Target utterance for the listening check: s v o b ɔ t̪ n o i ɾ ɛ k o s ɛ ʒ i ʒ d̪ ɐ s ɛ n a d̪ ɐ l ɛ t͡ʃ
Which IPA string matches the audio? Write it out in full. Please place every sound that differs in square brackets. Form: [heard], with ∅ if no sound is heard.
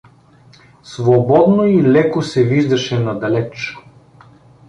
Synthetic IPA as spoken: s v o b ɔ [d̪] n o i [l] ɛ k o s ɛ [v] i ʒ d̪ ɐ [ʃ] ɛ n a d̪ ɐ l ɛ t͡ʃ